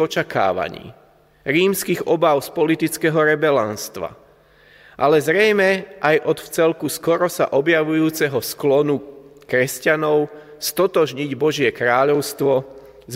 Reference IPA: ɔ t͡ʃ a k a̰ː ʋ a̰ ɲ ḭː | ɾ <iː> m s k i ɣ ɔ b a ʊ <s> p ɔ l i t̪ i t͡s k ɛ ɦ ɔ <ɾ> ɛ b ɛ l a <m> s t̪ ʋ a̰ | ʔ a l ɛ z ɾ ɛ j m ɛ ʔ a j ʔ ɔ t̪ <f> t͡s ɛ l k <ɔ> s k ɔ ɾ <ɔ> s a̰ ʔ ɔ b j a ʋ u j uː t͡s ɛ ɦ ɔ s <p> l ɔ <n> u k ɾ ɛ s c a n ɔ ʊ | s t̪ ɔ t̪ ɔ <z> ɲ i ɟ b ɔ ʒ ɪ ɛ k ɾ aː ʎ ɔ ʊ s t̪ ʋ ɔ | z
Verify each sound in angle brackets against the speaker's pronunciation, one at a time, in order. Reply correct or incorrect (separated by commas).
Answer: correct, correct, correct, incorrect, correct, incorrect, correct, incorrect, correct, incorrect